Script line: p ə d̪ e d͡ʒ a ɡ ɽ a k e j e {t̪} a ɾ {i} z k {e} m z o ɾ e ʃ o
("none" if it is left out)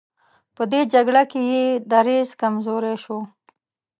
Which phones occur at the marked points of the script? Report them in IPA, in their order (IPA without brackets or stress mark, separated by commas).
d̪, e, a